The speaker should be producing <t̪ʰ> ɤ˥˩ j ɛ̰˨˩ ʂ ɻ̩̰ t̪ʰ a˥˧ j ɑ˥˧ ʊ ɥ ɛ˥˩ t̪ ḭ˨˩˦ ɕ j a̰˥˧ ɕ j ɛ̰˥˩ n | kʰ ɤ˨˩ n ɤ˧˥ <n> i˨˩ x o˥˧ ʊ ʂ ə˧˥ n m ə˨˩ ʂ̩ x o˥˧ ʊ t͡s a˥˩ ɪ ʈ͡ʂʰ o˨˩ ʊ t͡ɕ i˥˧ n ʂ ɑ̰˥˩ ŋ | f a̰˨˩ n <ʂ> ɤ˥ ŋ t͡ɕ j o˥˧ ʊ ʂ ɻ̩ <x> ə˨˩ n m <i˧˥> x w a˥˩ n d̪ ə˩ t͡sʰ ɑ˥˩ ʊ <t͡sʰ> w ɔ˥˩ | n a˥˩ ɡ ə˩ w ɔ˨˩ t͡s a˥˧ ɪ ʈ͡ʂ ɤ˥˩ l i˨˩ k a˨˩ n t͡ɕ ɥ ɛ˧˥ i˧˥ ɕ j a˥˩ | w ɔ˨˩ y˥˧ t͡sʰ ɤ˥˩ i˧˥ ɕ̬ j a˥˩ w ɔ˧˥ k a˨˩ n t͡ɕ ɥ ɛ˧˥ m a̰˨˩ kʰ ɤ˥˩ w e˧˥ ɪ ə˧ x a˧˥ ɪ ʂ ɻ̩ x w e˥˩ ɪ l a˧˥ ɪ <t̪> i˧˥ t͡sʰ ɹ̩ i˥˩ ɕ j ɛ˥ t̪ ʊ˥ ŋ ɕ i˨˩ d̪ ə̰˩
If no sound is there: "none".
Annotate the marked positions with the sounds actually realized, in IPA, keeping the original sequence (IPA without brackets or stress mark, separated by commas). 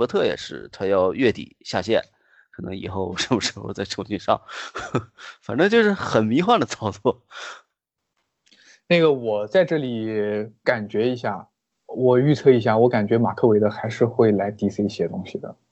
t̪ʰ, ŋ, ʈ͡ʂ, x, i˧˥, t͡s, t̪